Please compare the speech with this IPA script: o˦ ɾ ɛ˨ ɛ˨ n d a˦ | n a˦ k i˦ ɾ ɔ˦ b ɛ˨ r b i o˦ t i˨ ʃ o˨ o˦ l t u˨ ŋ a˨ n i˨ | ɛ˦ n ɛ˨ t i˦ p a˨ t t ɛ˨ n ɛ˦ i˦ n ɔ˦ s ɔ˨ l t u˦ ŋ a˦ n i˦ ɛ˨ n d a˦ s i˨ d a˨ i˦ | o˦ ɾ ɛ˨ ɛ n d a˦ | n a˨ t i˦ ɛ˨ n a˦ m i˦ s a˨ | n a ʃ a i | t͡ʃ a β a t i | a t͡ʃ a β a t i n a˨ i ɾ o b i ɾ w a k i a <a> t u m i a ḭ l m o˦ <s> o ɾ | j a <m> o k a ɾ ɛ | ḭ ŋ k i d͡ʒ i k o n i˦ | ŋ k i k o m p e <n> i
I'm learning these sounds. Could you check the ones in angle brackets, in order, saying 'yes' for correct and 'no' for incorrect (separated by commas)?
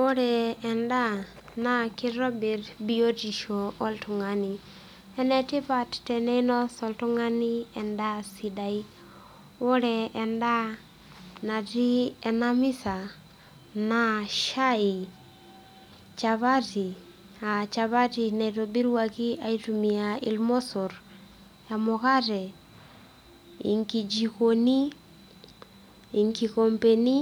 no, yes, yes, yes